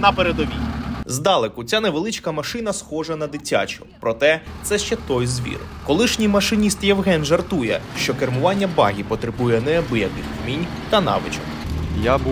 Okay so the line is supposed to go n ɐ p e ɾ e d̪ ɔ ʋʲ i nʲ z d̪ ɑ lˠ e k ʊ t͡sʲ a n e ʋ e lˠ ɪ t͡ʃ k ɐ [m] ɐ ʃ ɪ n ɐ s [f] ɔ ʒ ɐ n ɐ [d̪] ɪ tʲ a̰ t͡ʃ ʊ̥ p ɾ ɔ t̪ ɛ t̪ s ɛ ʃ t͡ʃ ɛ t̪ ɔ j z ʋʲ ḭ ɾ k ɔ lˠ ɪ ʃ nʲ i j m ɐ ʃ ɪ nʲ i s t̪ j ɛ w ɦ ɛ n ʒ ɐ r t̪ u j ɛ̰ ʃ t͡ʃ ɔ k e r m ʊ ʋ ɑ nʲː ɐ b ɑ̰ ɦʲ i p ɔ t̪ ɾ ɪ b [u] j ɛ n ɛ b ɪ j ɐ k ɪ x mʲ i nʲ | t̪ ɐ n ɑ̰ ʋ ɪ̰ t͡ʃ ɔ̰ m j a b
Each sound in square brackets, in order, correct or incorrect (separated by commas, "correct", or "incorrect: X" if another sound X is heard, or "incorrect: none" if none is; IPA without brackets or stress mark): correct, incorrect: x, correct, correct